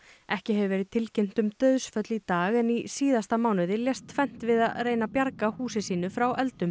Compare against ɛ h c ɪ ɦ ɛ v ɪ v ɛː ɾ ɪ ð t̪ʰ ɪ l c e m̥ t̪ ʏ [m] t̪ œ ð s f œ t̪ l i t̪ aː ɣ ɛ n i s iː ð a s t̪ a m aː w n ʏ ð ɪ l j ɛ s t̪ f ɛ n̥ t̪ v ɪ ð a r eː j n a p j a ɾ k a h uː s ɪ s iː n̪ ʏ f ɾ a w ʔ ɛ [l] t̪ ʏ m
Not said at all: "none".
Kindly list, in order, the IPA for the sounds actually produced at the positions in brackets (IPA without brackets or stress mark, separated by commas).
m, l